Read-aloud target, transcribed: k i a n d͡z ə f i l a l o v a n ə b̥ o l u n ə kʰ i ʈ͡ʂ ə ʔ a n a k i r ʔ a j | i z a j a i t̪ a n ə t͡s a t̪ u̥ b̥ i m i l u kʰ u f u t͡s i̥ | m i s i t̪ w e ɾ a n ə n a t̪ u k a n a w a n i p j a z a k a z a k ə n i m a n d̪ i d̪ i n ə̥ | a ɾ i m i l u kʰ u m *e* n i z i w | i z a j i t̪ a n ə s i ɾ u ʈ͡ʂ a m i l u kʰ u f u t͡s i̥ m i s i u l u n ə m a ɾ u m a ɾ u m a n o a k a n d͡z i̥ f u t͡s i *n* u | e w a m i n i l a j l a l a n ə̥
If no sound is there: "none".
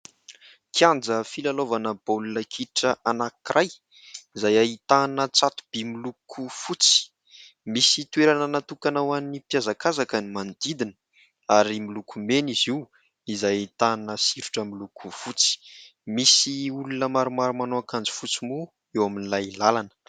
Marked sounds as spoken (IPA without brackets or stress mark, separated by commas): e, m